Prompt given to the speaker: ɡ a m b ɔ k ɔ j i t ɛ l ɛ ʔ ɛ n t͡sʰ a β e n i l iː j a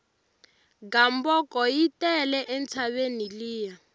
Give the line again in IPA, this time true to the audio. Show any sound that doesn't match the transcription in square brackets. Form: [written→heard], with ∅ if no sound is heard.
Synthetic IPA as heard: ɡ a m b ɔ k ɔ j i t ɛ l ɛ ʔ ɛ n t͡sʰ a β e n i l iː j a